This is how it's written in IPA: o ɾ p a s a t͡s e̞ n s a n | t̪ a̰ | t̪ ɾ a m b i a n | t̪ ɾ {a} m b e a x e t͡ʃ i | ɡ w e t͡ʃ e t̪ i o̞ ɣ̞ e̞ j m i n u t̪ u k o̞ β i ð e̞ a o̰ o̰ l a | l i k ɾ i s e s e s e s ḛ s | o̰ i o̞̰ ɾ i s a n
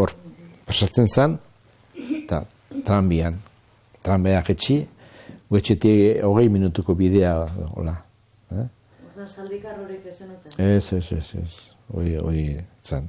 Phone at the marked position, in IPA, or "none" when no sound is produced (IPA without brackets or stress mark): a